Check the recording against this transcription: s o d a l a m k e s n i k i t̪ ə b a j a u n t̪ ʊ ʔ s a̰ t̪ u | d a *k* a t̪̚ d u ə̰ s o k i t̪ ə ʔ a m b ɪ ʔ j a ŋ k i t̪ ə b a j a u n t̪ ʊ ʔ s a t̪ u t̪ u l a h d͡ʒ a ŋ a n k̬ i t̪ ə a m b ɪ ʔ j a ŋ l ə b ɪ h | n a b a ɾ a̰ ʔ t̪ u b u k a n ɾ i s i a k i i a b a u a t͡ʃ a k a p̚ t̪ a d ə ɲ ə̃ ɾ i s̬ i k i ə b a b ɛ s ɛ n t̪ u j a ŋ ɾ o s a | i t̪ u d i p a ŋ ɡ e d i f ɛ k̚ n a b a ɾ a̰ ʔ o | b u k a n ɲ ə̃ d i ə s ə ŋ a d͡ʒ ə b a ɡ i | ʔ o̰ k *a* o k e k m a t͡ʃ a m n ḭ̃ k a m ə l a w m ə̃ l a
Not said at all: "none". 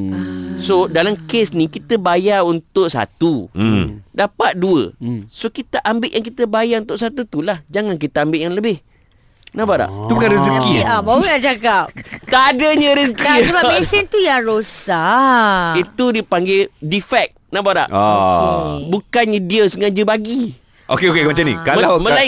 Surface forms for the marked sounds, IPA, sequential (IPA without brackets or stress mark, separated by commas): p, e